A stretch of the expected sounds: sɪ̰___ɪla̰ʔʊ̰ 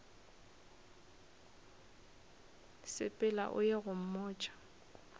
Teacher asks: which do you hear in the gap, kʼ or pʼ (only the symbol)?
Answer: pʼ